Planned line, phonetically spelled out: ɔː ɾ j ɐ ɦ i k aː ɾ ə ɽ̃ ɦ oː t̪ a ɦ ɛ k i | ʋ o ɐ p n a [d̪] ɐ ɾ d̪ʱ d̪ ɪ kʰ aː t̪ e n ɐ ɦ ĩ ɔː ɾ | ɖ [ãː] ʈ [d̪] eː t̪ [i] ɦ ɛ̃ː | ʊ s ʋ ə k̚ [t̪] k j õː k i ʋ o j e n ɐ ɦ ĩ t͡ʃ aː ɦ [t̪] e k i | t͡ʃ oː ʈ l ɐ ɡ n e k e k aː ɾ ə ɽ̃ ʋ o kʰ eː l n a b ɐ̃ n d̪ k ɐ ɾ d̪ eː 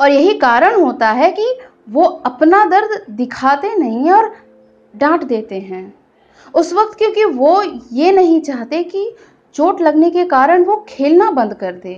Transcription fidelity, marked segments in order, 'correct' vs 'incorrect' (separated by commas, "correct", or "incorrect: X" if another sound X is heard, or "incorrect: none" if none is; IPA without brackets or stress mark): correct, correct, correct, incorrect: e, correct, correct